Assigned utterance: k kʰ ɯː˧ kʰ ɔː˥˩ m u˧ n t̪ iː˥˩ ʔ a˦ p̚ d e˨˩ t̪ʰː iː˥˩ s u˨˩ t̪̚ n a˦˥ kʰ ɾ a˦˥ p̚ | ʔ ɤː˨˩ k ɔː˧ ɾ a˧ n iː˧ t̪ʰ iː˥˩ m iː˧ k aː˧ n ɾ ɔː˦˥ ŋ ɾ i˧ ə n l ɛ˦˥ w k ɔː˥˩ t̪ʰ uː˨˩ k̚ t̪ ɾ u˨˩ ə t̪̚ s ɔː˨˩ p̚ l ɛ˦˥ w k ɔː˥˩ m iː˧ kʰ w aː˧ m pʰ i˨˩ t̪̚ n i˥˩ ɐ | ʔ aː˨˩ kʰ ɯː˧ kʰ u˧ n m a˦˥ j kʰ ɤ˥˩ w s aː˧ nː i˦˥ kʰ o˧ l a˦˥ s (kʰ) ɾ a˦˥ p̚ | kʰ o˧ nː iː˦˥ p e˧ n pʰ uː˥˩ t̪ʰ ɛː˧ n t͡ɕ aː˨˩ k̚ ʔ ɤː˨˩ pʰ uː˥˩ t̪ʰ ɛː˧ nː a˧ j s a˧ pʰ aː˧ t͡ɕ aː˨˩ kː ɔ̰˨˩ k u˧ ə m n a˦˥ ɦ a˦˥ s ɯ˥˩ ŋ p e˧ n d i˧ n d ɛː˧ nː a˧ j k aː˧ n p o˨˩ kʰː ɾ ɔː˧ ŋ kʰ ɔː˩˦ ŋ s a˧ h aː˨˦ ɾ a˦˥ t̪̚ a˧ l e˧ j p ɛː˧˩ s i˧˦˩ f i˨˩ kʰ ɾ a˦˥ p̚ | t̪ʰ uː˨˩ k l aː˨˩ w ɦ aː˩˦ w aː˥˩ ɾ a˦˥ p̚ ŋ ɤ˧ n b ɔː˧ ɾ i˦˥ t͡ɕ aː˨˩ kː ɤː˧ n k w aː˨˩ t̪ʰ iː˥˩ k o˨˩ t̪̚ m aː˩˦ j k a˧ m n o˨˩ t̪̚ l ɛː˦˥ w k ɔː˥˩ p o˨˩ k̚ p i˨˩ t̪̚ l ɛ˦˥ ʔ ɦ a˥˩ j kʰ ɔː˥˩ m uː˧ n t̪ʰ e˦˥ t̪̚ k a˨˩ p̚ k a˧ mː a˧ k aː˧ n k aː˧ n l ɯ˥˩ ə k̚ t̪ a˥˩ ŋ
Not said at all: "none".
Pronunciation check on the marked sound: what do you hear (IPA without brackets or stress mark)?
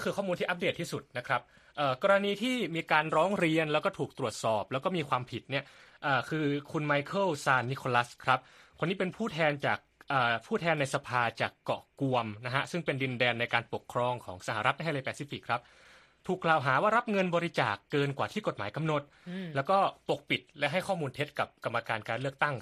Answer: kʰ